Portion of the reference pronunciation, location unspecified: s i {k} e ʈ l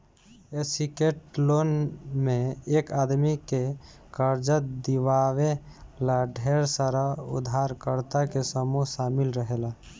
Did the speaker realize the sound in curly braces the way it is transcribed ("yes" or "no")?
yes